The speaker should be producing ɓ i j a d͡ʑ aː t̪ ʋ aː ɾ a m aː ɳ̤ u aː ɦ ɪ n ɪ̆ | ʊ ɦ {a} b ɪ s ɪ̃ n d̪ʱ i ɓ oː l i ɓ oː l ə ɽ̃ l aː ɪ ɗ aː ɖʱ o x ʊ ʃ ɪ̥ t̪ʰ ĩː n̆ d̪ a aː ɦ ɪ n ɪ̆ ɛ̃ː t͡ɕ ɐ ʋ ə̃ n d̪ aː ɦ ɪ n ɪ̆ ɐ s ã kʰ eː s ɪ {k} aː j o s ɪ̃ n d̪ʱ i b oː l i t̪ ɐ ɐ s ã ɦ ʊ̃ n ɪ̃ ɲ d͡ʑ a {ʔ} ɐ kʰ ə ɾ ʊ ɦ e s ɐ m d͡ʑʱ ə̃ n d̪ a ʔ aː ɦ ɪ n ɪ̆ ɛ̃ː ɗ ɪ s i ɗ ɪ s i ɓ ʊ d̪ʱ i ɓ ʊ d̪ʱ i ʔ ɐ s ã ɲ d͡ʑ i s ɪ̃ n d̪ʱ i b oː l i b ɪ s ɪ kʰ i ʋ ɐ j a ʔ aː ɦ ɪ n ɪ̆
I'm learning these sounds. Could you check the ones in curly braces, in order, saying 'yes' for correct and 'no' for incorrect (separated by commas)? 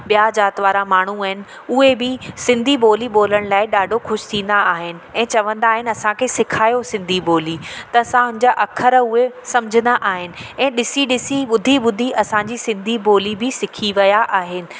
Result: no, no, yes